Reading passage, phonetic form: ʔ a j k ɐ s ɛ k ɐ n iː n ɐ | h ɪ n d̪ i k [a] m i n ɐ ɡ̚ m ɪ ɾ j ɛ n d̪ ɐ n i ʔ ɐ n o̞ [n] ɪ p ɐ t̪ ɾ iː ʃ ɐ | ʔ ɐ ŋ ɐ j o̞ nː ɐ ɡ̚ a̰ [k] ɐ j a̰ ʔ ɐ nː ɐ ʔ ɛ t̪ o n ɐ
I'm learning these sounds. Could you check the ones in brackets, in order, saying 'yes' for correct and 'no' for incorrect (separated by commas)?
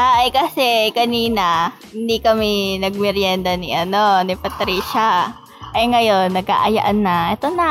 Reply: no, yes, no